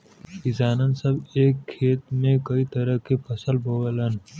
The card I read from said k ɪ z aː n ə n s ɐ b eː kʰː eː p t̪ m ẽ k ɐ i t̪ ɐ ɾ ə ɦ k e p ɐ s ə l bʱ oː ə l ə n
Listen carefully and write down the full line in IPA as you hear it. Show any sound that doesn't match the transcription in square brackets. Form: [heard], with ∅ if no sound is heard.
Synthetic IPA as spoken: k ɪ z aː n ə n s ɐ b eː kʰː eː [∅] t̪ m ẽ k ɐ i t̪ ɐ ɾ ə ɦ k e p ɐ s ə l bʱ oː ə l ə n